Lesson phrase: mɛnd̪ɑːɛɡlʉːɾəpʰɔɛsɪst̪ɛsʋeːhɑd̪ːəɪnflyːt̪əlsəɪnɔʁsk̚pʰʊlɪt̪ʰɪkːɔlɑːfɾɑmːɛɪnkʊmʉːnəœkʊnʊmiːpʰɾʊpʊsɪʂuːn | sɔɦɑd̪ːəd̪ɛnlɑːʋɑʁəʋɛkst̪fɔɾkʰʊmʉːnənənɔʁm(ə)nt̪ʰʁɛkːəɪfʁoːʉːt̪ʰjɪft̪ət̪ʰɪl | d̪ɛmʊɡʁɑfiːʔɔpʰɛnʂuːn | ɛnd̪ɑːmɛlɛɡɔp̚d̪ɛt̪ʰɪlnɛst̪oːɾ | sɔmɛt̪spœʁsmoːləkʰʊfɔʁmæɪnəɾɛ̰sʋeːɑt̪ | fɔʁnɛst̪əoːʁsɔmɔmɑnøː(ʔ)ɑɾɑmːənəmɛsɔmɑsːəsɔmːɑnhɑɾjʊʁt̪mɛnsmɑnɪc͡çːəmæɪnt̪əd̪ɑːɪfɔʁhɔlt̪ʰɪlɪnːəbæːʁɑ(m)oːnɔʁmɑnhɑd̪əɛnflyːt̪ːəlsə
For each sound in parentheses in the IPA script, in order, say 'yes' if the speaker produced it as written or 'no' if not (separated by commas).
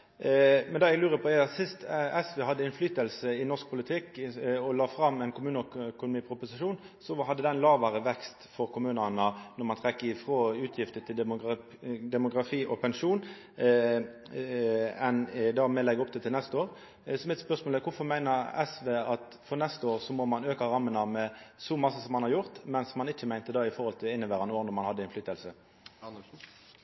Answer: no, no, no